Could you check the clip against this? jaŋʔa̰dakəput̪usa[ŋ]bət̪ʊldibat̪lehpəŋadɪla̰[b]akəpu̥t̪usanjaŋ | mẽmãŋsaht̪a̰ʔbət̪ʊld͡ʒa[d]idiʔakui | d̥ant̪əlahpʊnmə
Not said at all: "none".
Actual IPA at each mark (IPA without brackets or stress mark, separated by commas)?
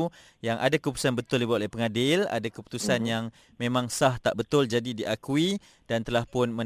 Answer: n, d, d